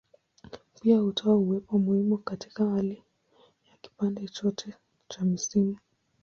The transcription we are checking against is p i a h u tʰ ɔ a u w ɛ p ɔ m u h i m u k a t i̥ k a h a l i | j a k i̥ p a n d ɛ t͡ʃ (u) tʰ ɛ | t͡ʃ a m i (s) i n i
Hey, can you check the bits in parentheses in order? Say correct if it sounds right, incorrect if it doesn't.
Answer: incorrect: ɔ, correct

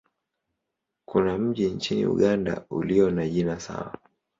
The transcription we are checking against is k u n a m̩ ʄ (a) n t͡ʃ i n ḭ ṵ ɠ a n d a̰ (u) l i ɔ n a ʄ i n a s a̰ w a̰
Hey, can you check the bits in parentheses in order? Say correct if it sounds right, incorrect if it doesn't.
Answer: incorrect: i, correct

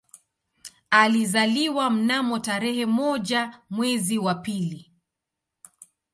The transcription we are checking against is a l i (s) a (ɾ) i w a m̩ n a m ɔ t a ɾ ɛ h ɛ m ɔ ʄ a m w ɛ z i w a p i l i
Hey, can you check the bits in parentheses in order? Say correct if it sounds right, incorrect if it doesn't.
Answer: incorrect: z, incorrect: l

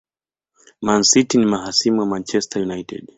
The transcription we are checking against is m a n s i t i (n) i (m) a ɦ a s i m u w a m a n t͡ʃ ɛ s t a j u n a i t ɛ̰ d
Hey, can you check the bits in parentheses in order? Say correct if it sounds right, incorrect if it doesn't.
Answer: correct, correct

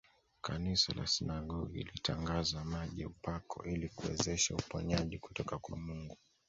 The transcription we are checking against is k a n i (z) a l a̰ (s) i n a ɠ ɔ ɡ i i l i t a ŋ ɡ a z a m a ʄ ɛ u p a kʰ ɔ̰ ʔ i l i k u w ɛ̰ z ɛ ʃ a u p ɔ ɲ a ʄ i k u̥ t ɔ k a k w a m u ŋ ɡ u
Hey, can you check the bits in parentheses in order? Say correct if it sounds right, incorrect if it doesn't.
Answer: incorrect: s, correct

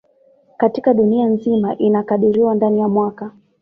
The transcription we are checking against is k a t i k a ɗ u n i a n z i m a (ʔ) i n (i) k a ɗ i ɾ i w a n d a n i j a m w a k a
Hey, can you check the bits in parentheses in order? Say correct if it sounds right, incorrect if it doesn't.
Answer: correct, incorrect: a

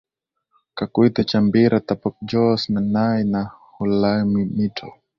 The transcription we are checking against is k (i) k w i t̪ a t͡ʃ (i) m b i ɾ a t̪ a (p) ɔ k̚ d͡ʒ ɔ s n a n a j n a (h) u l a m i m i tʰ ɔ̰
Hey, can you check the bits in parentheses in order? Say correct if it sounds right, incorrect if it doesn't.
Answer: incorrect: a, incorrect: a, correct, correct

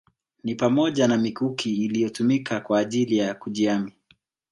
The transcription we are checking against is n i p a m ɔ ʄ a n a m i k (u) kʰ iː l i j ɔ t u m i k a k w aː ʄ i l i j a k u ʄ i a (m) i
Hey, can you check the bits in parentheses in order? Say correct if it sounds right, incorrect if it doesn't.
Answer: correct, correct

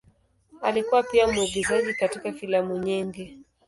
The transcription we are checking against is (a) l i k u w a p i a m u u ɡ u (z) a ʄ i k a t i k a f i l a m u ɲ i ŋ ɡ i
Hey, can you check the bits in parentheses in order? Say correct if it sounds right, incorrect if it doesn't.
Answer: correct, correct

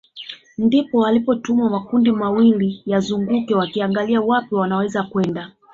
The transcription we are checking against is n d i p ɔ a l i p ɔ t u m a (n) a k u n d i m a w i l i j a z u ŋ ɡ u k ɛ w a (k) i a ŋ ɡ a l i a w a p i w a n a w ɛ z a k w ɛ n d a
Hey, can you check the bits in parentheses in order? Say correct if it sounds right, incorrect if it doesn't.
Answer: incorrect: m, correct

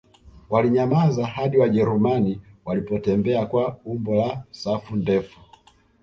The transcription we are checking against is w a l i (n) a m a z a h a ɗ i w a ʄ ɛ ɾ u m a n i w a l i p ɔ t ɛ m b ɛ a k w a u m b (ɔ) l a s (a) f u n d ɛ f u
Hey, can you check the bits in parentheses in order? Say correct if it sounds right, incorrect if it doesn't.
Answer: incorrect: ɲ, correct, correct

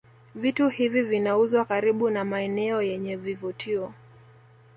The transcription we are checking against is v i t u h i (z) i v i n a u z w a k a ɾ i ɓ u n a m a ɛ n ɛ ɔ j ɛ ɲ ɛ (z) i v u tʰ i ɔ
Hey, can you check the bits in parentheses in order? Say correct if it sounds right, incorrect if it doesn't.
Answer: incorrect: v, incorrect: v

